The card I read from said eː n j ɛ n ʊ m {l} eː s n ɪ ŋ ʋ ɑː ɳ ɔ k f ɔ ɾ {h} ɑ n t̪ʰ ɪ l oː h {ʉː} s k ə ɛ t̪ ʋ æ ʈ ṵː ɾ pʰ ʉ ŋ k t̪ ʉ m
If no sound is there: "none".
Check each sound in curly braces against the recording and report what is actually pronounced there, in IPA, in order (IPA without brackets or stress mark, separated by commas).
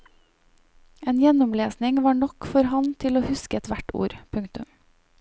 l, h, ʉ